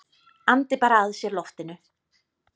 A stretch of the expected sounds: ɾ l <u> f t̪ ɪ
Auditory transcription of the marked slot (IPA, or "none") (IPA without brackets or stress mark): ɔ